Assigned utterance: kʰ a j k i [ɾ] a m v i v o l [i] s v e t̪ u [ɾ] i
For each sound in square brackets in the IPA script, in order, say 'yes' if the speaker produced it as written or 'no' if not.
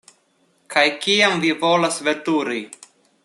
no, no, yes

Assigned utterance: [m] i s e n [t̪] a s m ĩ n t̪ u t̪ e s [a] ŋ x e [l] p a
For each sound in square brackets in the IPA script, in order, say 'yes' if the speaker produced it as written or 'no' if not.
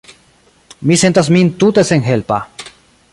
yes, yes, no, yes

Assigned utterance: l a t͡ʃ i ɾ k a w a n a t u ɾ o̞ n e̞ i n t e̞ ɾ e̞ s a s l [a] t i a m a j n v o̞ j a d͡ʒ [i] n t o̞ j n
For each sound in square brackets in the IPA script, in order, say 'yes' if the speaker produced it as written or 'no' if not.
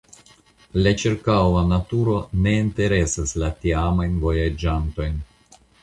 yes, no

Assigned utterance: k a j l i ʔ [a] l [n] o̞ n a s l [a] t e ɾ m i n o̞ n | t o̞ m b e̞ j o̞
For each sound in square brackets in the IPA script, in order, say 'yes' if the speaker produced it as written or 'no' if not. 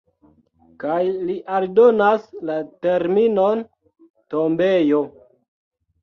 yes, no, yes

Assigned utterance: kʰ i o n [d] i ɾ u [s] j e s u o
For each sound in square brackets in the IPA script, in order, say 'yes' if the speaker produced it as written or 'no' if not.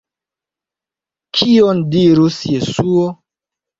yes, yes

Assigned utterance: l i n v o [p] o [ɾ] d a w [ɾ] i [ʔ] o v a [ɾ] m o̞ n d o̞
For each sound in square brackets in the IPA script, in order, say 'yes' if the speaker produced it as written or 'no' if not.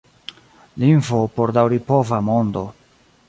yes, yes, yes, no, no

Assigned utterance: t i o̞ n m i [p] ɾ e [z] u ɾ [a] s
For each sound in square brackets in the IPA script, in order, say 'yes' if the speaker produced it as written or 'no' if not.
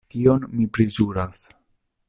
yes, yes, yes

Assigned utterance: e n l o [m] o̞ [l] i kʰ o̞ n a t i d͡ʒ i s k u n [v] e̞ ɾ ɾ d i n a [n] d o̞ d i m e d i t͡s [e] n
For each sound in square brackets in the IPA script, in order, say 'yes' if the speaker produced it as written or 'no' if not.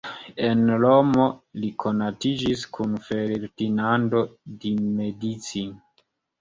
yes, yes, no, yes, no

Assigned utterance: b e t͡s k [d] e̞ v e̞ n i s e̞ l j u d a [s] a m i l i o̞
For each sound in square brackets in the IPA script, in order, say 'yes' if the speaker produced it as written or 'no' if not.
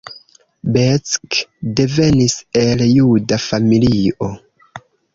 yes, no

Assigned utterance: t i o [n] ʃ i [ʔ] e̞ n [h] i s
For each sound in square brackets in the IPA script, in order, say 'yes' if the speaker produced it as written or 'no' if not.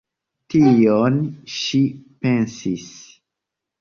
yes, no, no

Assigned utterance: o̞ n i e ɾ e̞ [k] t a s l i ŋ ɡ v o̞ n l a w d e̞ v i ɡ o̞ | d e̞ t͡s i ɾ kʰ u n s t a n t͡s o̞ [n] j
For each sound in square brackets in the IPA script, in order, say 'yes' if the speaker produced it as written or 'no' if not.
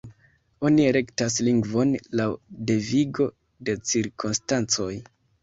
yes, no

